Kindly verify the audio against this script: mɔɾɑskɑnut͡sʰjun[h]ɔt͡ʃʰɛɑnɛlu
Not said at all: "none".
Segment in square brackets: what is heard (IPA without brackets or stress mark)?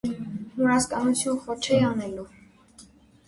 χ